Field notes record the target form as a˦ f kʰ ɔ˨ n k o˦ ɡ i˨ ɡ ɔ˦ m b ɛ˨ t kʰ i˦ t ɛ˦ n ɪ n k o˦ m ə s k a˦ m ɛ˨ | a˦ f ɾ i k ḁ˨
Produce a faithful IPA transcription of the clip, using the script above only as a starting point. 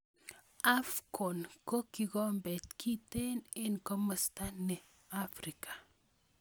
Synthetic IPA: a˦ f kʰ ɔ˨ n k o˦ k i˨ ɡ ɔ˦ m b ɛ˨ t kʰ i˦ t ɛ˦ n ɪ n k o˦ m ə s t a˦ n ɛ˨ | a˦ f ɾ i k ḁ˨

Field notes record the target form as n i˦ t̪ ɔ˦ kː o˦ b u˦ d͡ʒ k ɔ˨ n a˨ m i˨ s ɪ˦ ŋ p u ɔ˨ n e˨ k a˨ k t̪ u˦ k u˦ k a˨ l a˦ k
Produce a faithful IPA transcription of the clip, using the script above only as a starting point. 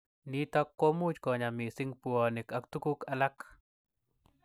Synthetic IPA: n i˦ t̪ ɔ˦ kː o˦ m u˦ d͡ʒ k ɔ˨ ɲ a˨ m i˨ s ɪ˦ ŋ p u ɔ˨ n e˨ k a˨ k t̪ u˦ k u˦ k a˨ l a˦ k

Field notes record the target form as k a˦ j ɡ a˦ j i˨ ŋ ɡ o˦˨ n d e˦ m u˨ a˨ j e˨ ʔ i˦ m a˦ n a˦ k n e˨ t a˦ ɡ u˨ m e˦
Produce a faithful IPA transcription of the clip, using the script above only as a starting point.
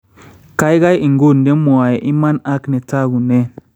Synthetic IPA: k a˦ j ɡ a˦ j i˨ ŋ ɡ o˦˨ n d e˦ m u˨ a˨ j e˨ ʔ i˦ m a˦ n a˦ k n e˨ t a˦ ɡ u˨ n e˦

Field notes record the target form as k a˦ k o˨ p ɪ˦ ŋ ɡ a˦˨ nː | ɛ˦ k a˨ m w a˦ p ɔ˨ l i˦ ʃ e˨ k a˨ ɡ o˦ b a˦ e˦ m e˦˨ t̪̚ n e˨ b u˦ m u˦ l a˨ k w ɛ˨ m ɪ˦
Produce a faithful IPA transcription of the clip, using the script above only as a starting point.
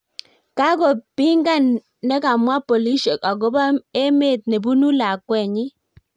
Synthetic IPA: k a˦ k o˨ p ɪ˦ ŋ ɡ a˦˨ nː | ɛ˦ k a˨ m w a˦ p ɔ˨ l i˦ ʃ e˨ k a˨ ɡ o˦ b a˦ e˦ m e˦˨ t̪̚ n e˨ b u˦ n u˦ l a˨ k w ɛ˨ ɲ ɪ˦

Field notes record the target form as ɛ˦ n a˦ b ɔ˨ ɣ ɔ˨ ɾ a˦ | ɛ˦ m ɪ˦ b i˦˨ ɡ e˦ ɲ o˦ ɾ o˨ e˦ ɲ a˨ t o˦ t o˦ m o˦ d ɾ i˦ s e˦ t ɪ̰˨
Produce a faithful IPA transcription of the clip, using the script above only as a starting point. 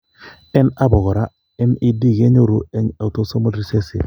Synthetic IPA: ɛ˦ n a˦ b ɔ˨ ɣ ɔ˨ ɾ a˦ | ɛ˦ n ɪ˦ d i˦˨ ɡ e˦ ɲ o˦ ɾ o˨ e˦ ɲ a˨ t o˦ s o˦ m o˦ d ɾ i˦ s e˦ s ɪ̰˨

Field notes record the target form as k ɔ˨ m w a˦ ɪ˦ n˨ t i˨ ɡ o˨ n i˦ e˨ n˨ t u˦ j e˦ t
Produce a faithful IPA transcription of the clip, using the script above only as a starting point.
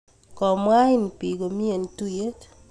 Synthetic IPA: k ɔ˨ m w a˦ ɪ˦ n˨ p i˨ ɡ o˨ m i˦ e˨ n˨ t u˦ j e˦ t

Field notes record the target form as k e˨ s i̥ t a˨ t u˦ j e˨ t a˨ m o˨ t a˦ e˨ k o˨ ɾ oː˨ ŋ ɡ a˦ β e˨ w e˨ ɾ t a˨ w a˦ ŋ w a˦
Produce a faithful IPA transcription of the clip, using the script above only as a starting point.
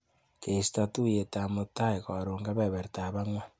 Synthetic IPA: k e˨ s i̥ t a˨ t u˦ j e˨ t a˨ m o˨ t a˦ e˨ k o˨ ɾ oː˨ ŋ ɡ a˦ β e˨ β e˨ ɾ t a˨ β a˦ ŋ w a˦

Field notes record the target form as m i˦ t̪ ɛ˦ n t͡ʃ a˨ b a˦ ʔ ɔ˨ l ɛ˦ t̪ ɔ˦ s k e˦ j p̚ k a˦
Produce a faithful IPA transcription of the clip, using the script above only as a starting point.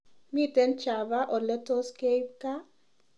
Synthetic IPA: m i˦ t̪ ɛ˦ n t͡ʃ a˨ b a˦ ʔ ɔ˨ l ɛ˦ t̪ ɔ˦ s k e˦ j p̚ k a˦

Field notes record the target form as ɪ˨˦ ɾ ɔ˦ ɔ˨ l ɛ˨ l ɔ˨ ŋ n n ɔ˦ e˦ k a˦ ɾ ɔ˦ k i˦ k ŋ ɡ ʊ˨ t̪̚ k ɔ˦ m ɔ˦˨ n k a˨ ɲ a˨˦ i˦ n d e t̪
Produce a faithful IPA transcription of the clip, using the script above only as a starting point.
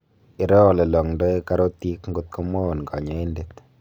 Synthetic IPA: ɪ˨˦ ɾ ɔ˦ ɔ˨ l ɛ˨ l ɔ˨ ŋ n d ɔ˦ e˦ k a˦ ɾ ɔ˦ t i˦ k ŋ ɡ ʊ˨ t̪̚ k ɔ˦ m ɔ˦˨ n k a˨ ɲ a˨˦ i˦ n d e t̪

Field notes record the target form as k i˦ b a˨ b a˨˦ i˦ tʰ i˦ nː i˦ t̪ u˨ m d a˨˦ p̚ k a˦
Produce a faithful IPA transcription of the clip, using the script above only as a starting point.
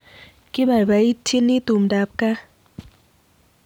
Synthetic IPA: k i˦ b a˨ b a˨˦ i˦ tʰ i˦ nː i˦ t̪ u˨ m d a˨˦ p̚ k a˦

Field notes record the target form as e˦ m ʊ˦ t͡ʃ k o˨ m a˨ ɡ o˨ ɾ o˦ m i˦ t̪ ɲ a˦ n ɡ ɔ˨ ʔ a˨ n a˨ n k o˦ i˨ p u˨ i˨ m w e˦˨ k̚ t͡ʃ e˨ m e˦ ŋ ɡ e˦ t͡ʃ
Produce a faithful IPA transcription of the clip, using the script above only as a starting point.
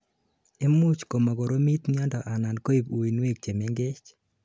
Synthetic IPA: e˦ m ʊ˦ t͡ʃ k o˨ m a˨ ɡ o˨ ɾ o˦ m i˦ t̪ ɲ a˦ n d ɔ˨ ʔ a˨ n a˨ n k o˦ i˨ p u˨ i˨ n w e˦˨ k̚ t͡ʃ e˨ m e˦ ŋ ɡ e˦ t͡ʃ

